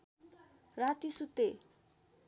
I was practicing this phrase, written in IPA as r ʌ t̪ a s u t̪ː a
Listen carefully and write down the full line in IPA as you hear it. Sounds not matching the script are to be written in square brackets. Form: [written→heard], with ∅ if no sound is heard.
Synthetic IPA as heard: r [ʌ→a] t̪ [a→i] s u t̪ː [a→e]